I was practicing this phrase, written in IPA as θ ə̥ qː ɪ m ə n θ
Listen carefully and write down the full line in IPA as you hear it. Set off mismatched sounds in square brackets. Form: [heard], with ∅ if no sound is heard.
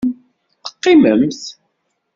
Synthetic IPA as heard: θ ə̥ qː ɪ m ə [m] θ